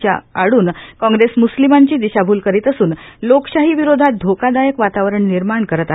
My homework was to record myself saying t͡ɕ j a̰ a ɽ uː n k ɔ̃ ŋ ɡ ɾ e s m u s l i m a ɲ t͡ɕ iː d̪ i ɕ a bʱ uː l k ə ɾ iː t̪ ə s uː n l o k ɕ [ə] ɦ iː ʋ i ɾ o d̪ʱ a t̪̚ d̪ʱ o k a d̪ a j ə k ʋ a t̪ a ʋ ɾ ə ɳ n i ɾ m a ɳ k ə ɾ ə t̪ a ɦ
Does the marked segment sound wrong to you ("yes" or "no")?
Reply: yes